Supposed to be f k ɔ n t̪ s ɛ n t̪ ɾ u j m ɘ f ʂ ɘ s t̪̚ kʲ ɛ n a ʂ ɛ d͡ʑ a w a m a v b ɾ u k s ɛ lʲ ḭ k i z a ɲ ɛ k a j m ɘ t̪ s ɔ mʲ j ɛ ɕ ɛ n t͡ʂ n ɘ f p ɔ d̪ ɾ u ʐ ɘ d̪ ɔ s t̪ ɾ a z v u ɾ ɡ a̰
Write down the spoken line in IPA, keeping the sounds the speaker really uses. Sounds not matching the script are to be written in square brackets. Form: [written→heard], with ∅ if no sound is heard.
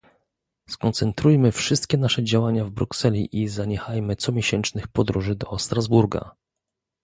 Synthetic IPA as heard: [f→s] k ɔ n t̪ s ɛ n t̪ ɾ u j m ɘ f ʂ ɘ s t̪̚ kʲ ɛ n a ʂ ɛ d͡ʑ a w a [m→ɲ] a v b ɾ u k s ɛ lʲ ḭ [k→ʔ] i z a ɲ ɛ [k→x] a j m ɘ t̪ s ɔ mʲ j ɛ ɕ ɛ n t͡ʂ n ɘ [f→x] p ɔ d̪ ɾ u ʐ ɘ d̪ ɔ s t̪ ɾ a z [v→b] u ɾ ɡ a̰

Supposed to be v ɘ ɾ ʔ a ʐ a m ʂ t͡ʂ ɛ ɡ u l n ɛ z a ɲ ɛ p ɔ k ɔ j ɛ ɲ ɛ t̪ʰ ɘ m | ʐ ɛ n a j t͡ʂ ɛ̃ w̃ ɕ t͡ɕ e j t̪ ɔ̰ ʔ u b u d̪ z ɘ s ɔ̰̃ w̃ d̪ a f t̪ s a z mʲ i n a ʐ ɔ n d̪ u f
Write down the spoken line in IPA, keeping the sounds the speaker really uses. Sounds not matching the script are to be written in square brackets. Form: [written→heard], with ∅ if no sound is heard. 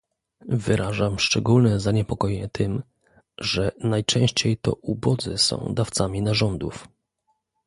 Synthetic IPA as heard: v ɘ ɾ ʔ a ʐ a m ʂ t͡ʂ ɛ ɡ u l n ɛ z a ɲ ɛ p ɔ k ɔ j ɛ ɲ ɛ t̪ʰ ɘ m | ʐ ɛ n a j t͡ʂ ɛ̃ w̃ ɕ t͡ɕ e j t̪ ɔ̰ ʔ u b [u→ɔ] d̪ z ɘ s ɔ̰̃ w̃ d̪ a f t̪ s a [z→∅] mʲ i n a ʐ ɔ n d̪ u f

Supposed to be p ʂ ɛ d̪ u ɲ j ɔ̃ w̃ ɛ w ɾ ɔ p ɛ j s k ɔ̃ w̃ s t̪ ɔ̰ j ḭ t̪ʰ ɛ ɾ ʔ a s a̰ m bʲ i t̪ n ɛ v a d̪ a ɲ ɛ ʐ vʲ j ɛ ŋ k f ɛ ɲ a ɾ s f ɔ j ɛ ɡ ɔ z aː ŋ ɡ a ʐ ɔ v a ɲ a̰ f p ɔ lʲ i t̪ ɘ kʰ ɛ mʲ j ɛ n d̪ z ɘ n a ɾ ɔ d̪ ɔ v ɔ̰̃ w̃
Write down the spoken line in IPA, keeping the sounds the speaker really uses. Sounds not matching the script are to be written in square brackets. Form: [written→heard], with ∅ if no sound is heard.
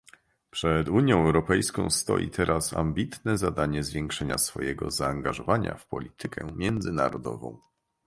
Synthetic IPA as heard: p ʂ ɛ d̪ u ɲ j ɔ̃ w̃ ɛ w ɾ ɔ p ɛ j s k ɔ̃ w̃ s t̪ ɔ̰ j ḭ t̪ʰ ɛ ɾ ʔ a s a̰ m bʲ i t̪ n ɛ [v→z] a d̪ a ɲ ɛ [ʐ→z] vʲ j ɛ ŋ k [f→ʂ] ɛ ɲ a [ɾ→∅] s f ɔ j ɛ ɡ ɔ z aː ŋ ɡ a ʐ ɔ v a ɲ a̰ f p ɔ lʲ i t̪ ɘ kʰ ɛ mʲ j ɛ n d̪ z ɘ n a ɾ ɔ d̪ ɔ v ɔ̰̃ w̃

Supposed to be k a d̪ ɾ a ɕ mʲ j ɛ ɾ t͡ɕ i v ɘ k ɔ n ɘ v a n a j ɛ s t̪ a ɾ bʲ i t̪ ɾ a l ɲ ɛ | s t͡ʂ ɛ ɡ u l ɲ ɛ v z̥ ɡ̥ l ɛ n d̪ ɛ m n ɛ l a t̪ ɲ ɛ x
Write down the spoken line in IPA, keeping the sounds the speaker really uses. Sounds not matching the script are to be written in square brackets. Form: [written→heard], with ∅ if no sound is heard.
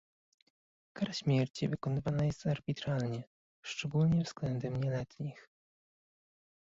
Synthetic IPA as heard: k a [d̪→∅] ɾ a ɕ mʲ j ɛ ɾ t͡ɕ i v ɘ k ɔ n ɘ v a n a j ɛ s t̪ a ɾ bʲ i t̪ ɾ a l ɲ ɛ | [s→ʂ] t͡ʂ ɛ ɡ u l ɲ ɛ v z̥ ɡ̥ l ɛ n d̪ ɛ m [n→ɲ] ɛ l [a→ɛ] t̪ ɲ [ɛ→i] x

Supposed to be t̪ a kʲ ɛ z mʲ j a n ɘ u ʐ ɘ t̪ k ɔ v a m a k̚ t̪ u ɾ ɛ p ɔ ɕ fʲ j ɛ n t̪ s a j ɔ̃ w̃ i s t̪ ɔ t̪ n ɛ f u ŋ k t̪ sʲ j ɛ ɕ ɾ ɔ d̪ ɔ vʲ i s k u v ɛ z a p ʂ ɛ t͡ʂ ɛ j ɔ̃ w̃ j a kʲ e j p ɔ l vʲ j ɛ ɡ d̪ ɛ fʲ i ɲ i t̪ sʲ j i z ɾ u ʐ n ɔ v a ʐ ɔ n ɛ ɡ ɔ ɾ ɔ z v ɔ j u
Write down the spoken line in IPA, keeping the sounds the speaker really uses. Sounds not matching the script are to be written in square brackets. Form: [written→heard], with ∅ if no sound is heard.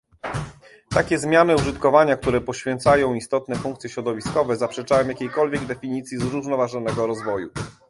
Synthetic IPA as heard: t̪ a kʲ ɛ z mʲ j a n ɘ u ʐ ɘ t̪ k ɔ v a [m→ɲ] a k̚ t̪ u ɾ ɛ p ɔ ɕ fʲ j ɛ n t̪ s a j ɔ̃ w̃ i s t̪ ɔ t̪ n ɛ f u ŋ k t̪ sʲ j ɛ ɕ ɾ ɔ d̪ ɔ vʲ i s k [u→ɔ] v ɛ z a p ʂ ɛ t͡ʂ [ɛ→a] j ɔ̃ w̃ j a kʲ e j [p→k] ɔ l vʲ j ɛ ɡ d̪ ɛ fʲ i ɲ i t̪ sʲ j i z ɾ u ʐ n ɔ v a ʐ ɔ n ɛ ɡ ɔ ɾ ɔ z v ɔ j u

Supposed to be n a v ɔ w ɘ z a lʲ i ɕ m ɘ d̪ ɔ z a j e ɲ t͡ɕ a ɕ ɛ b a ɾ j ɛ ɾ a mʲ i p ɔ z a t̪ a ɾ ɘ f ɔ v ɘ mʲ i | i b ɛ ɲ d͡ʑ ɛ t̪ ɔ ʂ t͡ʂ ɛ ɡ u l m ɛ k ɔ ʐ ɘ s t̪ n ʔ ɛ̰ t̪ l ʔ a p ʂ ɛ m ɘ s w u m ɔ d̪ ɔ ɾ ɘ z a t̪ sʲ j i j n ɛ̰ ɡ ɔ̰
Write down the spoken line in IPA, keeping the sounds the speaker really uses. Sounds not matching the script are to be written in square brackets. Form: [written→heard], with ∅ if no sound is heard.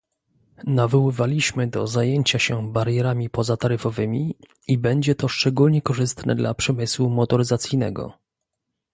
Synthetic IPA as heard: n a v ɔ w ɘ [z→v] a lʲ i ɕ m ɘ d̪ ɔ z a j e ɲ t͡ɕ a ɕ ɛ b a ɾ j ɛ ɾ a mʲ i p ɔ z a t̪ a ɾ ɘ f ɔ v ɘ mʲ i | i b ɛ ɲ d͡ʑ ɛ t̪ ɔ ʂ t͡ʂ ɛ ɡ u l [m→ɲ] ɛ k ɔ ʐ ɘ s t̪ n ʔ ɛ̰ [t̪→d̪] l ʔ a p ʂ ɛ m ɘ s w u m ɔ [d̪→t̪] ɔ ɾ ɘ z a t̪ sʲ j i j n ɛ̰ ɡ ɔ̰

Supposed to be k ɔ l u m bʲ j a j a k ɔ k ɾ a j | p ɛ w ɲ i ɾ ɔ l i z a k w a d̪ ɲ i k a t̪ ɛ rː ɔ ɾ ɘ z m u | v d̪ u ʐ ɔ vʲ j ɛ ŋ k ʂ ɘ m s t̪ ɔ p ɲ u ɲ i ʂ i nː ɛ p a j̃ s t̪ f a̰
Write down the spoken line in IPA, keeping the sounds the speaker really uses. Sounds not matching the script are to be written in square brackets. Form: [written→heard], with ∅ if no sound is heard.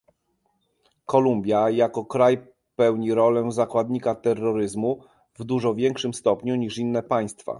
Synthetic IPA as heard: k ɔ l u m bʲ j a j a k ɔ k ɾ a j | p ɛ w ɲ i ɾ ɔ l [i→ɛ] z a k w a d̪ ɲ i k a t̪ ɛ rː ɔ ɾ ɘ z m u | v d̪ u ʐ ɔ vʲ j ɛ ŋ k ʂ ɘ m s t̪ ɔ p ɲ u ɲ i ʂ i nː ɛ p a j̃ s t̪ f a̰

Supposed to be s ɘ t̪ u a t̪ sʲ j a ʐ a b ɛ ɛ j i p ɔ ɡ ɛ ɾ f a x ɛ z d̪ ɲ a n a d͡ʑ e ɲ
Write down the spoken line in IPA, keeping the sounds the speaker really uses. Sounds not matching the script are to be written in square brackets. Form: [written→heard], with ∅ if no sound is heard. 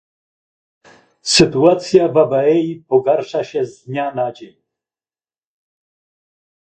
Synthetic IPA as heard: s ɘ t̪ u a t̪ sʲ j a [ʐ→v] a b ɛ ɛ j i p ɔ ɡ [ɛ→a] ɾ [f→ʂ] a [x→ɕ] ɛ z d̪ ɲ a n a d͡ʑ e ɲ

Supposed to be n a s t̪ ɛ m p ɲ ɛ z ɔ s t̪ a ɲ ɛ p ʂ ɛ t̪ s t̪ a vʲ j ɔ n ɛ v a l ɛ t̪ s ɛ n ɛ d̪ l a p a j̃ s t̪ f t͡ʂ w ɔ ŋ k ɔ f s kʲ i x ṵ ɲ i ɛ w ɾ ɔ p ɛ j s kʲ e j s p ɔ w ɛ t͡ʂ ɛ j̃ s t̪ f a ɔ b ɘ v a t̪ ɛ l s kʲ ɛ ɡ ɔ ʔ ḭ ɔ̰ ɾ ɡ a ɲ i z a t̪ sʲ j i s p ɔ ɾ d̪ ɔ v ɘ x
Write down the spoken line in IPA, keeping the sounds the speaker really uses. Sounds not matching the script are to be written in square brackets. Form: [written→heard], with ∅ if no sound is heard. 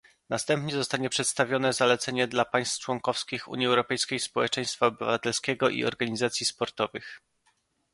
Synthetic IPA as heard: n a s t̪ ɛ m p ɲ ɛ z ɔ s t̪ a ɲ ɛ p ʂ ɛ t̪ s t̪ a vʲ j ɔ n ɛ [v→z] a l ɛ t̪ s ɛ [n→ɲ] ɛ d̪ l a p a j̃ s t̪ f t͡ʂ w ɔ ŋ k ɔ f s kʲ i x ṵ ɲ i ɛ w ɾ ɔ p ɛ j s kʲ e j s p ɔ w ɛ t͡ʂ ɛ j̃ s t̪ f a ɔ b ɘ v a t̪ ɛ l s kʲ ɛ ɡ ɔ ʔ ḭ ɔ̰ ɾ ɡ a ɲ i z a t̪ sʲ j i s p ɔ ɾ [d̪→t̪] ɔ v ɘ x

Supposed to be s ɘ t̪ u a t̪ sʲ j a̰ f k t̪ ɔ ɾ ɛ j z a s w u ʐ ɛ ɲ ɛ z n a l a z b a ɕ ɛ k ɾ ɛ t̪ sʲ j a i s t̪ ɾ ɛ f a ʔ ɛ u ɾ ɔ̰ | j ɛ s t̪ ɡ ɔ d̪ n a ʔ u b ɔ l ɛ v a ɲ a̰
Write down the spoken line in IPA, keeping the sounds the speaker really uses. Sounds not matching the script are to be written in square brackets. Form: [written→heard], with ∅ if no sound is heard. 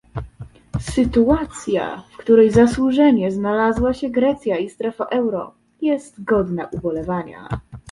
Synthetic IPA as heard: s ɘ t̪ u a t̪ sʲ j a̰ f k t̪ [ɔ→u] ɾ ɛ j z a s w u ʐ ɛ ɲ ɛ z n a l a z [b→w] a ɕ ɛ [k→ɡ] ɾ ɛ t̪ sʲ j a i s t̪ ɾ ɛ f a ʔ ɛ [u→w] ɾ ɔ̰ | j ɛ s t̪ ɡ ɔ d̪ n a ʔ u b ɔ l ɛ v a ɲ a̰

